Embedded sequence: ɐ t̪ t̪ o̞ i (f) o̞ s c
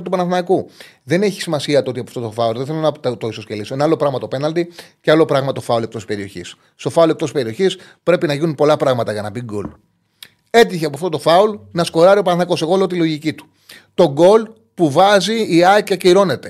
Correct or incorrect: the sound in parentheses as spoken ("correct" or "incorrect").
incorrect